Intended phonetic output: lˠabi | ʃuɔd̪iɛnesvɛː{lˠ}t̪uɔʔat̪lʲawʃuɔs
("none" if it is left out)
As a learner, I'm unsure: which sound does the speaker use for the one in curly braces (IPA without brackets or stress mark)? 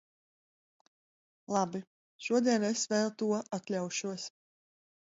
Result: lˠ